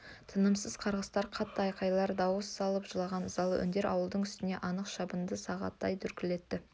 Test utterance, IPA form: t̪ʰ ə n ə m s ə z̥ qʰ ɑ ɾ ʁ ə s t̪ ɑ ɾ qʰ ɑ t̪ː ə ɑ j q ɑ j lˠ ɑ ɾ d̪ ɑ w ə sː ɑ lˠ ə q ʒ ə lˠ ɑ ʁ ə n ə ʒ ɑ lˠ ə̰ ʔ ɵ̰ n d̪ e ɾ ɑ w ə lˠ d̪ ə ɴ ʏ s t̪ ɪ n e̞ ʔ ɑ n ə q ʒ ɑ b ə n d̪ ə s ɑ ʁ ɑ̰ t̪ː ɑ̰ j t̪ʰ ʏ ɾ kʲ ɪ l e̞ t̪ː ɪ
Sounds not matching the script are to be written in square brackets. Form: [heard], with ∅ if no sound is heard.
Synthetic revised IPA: t̪ʰ ə n ə m s ə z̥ qʰ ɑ ɾ ʁ ə s t̪ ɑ ɾ qʰ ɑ t̪ː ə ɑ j q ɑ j lˠ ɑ ɾ d̪ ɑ w ə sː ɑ lˠ ə [p] ʒ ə lˠ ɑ ʁ [ɑ] n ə [z] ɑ lˠ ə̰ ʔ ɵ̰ n d̪ e ɾ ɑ w ə lˠ d̪ ə ɴ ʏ s t̪ ɪ n e̞ ʔ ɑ n ə q [ʃ] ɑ b ə n d̪ ə s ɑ ʁ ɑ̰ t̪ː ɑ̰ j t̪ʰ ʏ ɾ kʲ ɪ l e̞ t̪ː ɪ

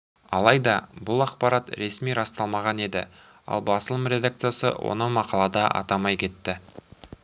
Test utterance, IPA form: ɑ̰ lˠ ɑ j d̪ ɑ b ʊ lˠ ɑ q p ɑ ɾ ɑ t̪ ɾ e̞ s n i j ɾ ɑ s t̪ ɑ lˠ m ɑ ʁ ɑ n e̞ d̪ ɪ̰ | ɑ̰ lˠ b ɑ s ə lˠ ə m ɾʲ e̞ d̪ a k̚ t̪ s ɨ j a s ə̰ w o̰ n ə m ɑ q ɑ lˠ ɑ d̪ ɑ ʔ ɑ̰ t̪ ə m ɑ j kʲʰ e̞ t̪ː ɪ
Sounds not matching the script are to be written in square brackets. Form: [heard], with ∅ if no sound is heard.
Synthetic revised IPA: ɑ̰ lˠ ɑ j d̪ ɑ b ʊ lˠ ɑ q p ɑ ɾ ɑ t̪ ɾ e̞ s [m] i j ɾ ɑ s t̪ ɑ lˠ m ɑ ʁ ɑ n e̞ d̪ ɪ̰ | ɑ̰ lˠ b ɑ s ə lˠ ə m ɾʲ e̞ d̪ a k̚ t̪ s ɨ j a s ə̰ w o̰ n ə m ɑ q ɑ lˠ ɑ d̪ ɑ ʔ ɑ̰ t̪ [ɑ] m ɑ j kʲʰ e̞ t̪ː ɪ

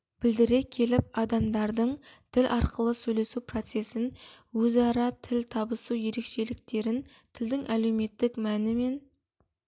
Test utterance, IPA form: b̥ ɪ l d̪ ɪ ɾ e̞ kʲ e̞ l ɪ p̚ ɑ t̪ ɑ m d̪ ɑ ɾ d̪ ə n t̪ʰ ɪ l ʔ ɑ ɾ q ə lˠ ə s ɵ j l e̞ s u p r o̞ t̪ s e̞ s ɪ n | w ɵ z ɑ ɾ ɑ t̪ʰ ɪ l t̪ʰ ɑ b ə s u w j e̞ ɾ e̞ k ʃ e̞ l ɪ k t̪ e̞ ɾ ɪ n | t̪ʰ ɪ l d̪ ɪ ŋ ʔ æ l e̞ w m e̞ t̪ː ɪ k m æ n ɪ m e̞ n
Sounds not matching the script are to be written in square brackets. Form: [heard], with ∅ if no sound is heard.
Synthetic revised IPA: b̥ ɪ l d̪ ɪ ɾ e̞ [kʲʰ] e̞ l ɪ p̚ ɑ [d̪] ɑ m d̪ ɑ ɾ d̪ ə [ɴ] t̪ʰ ɪ l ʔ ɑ ɾ q ə lˠ ə s ɵ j l e̞ s u p r o̞ t̪ s e̞ s ɪ n | w ɵ z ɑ ɾ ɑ t̪ʰ ɪ l t̪ʰ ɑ b ə s u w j e̞ ɾ e̞ k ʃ e̞ l ɪ k t̪ e̞ ɾ ɪ n | t̪ʰ ɪ l d̪ ɪ ŋ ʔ æ l e̞ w m e̞ t̪ː ɪ k m æ n ɪ m e̞ n

